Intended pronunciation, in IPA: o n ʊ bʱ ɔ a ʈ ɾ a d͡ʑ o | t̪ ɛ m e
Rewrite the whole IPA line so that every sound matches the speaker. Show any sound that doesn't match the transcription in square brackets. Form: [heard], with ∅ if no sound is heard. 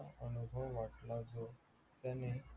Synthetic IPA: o n [u] bʱ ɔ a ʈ [l] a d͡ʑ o | t̪ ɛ [n] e